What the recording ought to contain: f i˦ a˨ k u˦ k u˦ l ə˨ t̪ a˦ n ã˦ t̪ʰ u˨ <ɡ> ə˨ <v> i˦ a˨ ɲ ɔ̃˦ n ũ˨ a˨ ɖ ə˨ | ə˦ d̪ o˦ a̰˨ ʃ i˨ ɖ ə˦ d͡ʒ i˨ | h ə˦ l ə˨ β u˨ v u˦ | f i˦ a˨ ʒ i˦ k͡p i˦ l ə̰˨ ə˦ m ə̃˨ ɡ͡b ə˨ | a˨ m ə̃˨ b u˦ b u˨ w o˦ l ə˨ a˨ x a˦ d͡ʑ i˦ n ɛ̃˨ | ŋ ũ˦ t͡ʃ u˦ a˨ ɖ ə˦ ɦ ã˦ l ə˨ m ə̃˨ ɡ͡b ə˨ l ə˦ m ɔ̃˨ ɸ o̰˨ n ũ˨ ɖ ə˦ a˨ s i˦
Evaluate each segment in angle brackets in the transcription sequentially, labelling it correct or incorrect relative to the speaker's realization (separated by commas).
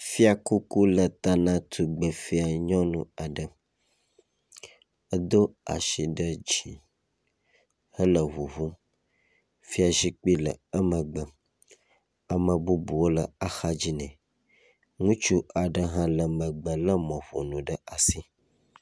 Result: incorrect, incorrect